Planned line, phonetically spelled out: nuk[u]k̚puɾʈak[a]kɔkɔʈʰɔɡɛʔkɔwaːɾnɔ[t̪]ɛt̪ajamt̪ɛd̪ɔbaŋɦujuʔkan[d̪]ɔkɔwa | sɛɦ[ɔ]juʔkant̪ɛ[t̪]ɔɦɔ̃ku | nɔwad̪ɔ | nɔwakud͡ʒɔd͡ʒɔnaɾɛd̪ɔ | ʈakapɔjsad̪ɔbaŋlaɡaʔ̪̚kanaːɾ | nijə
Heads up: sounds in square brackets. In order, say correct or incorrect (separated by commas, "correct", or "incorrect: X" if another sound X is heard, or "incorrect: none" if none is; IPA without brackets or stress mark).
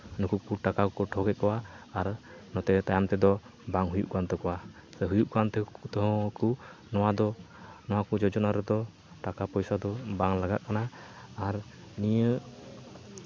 correct, correct, correct, incorrect: t̪, incorrect: u, correct